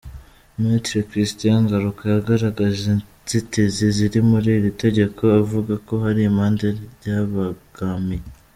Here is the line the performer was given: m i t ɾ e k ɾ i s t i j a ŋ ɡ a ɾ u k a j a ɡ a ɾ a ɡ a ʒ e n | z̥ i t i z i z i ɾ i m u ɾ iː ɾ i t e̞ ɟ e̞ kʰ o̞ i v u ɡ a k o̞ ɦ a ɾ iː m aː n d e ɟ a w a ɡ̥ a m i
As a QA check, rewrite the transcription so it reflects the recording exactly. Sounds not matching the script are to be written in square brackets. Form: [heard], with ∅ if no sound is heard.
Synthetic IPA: m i t ɾ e k ɾ i s t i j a ŋ ɡ a ɾ u k a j a ɡ a ɾ a ɡ a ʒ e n | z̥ i t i z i z i ɾ i m u ɾ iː ɾ i t e̞ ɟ e̞ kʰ o̞ [a] v u ɡ a k o̞ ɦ a ɾ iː m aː n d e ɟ a [β] a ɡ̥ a m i